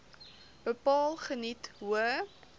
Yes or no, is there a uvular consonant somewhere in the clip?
yes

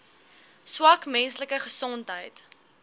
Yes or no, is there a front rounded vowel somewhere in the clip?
no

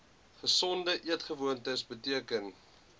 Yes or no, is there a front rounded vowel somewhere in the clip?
no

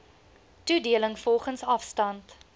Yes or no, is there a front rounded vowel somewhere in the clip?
no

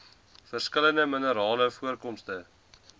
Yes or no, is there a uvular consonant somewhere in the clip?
no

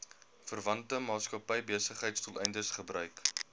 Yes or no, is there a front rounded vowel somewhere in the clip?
yes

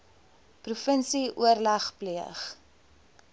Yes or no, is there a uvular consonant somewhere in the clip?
yes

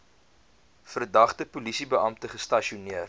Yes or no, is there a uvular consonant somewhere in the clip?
yes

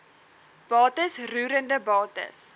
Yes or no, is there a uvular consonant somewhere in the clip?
no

